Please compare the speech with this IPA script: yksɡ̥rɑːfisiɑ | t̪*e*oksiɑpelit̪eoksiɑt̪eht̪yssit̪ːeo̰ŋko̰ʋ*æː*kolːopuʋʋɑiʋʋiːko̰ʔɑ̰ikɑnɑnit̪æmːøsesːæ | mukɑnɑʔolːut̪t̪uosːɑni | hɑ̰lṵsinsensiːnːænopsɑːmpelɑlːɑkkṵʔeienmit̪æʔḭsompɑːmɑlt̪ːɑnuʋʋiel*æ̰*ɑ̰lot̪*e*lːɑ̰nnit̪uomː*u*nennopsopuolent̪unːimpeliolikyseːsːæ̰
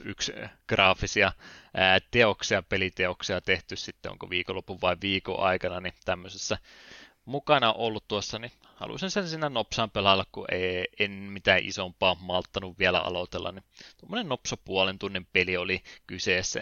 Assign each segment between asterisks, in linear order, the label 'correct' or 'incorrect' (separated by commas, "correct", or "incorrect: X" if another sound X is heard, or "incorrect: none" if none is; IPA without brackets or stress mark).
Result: correct, incorrect: iː, correct, correct, incorrect: o